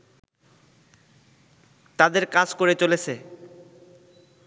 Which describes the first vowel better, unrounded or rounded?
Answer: unrounded